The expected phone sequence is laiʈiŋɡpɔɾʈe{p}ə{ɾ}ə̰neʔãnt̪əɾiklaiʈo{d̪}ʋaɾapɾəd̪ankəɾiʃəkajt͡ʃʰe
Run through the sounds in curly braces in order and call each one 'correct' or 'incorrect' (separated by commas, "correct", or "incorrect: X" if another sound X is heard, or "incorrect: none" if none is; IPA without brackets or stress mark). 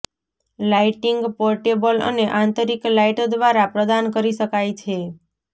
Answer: incorrect: b, incorrect: l, correct